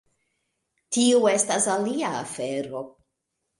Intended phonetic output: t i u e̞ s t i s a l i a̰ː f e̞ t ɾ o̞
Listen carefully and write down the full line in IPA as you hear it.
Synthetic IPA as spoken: t i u e̞ s t a s a l i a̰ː f e̞ ɾ o̞